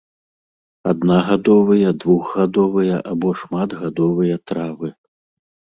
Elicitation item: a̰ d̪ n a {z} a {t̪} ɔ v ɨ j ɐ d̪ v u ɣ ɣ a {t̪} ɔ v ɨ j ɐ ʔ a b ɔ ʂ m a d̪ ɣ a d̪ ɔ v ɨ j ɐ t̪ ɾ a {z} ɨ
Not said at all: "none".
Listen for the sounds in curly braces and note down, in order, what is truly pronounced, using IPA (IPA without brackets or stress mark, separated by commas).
ɣ, d̪, d̪, v